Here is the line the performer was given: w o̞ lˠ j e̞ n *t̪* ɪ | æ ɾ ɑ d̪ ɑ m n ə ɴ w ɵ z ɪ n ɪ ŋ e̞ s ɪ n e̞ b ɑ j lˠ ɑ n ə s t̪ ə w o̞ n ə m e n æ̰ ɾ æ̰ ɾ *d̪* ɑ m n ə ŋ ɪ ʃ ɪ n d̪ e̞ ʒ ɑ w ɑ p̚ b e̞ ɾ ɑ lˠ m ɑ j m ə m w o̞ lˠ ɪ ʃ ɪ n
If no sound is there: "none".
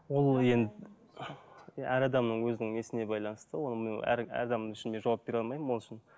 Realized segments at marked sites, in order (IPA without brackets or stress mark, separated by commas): d̪, d̪